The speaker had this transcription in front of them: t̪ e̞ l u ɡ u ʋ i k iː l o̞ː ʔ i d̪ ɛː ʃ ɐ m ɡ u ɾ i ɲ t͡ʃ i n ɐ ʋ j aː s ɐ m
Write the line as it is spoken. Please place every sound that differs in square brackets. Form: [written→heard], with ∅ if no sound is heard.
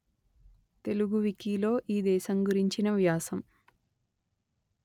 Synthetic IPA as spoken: t̪ e̞ l u ɡ u ʋ i k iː l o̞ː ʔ [i→iː] d̪ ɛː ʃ ɐ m ɡ u ɾ i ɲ t͡ʃ i n ɐ ʋ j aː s ɐ m